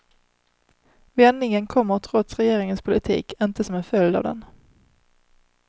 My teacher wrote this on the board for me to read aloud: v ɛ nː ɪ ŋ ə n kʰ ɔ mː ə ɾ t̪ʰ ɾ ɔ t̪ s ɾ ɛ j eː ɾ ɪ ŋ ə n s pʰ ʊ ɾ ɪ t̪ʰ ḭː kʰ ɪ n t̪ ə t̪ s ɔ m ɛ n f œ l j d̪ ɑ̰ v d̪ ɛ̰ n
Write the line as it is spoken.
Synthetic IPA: v ɛ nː ɪ ŋ ə n kʰ ɔ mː ə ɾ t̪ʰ ɾ ɔ t̪ s ɾ ɛ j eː ɾ ɪ ŋ ə n s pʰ ʊ l ɪ t̪ʰ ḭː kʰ ɪ n t̪ ə s ɔ m ɛ n f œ l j d̪ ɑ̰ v d̪ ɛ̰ n